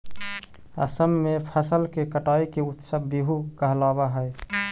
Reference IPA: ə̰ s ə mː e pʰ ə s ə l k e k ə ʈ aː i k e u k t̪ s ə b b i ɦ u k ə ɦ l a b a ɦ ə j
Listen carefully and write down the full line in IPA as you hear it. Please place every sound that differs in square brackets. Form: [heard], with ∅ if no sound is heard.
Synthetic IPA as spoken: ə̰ s ə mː e pʰ ə s ə l k e k ə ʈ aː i k e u [∅] t̪ s ə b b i ɦ u k ə ɦ l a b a ɦ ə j